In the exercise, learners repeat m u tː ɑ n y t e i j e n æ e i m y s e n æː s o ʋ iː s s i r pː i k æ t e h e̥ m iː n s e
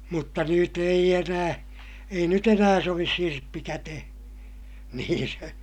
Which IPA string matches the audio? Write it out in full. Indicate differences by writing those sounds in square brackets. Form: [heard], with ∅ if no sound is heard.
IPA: m u tː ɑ n y t e i j e n [æː] e i [n] y [t] e n æː s o ʋ [i] s s i r pː i k æ t e h e̥ [n] iː n s e